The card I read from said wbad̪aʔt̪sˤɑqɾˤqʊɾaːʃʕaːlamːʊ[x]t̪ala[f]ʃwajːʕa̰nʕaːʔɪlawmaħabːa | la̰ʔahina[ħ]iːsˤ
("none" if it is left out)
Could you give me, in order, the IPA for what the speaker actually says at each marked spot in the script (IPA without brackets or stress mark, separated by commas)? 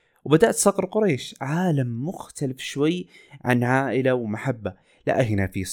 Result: x, f, f